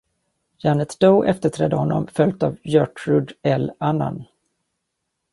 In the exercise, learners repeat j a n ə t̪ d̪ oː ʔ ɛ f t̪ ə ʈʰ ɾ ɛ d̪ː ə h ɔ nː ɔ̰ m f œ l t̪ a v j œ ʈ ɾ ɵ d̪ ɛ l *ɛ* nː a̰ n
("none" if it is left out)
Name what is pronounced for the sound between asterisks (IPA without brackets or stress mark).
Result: a